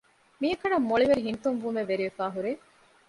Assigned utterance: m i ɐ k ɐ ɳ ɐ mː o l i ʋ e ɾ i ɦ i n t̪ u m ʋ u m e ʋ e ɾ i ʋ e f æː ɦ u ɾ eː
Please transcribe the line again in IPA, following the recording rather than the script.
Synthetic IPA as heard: m i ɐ k ɐ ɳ ɐ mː o ɭ i ʋ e ɾ i ɦ i n t̪ u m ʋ u m e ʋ e ɾ i ʋ e f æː ɦ u ɾ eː